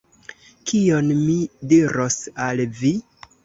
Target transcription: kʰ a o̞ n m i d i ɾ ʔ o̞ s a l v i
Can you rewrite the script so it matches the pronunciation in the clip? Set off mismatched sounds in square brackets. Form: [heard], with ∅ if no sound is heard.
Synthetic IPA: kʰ [i] o̞ n m i d i ɾ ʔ o̞ s a l v i